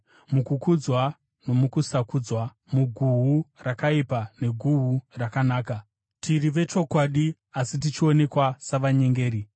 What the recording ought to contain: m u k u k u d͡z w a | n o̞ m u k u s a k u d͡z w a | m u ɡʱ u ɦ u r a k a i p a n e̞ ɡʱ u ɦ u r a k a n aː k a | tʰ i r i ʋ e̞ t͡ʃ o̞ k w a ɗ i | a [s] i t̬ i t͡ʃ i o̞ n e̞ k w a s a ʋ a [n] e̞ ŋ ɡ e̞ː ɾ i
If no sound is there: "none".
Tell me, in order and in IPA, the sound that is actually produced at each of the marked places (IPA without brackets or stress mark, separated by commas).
s, ɲ